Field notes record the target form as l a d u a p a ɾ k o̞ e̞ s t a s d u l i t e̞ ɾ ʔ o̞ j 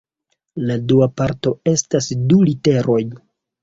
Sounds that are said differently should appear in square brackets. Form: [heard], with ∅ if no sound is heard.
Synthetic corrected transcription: l a d u a p a ɾ [t] o̞ e̞ s t a s d u l i t e̞ ɾ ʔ o̞ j